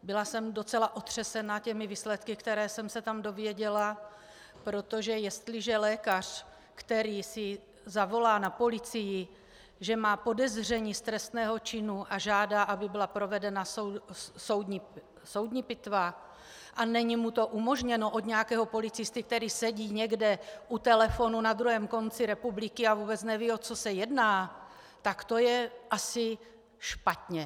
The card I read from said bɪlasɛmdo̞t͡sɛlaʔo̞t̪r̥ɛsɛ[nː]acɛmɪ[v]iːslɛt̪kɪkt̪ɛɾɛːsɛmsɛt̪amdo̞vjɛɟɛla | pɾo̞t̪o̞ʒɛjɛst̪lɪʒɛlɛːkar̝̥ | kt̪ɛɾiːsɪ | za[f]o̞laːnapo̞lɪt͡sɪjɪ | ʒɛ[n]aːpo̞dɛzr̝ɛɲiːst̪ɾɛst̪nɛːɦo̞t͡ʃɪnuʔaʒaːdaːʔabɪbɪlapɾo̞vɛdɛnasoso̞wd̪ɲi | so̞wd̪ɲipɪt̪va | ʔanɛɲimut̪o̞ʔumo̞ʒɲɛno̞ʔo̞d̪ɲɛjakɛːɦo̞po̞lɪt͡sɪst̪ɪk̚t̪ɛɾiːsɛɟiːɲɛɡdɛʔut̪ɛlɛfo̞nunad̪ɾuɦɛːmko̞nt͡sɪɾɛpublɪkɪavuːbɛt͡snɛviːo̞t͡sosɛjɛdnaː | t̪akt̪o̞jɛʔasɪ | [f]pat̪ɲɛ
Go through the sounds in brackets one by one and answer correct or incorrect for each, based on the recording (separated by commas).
incorrect, correct, incorrect, incorrect, incorrect